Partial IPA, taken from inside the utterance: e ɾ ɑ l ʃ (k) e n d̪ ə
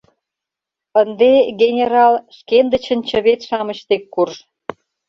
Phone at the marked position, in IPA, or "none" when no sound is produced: k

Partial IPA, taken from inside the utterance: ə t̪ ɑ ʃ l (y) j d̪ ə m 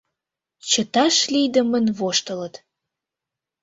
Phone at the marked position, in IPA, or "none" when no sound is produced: i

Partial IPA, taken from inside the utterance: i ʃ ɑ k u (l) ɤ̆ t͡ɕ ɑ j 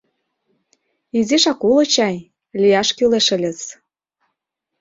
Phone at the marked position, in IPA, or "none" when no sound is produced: l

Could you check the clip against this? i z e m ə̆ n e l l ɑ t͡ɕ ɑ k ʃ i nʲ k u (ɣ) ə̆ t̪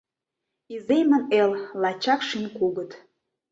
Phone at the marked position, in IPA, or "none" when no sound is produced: ɣ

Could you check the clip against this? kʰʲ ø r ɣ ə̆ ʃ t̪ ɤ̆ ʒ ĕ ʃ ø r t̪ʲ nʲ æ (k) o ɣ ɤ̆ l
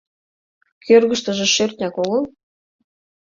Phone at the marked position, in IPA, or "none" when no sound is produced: k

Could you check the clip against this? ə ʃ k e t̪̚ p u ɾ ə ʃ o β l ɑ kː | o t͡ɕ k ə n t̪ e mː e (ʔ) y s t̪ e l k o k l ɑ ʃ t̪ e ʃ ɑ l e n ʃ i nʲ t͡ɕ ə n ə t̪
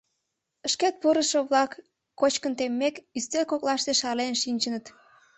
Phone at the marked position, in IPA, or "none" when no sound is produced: k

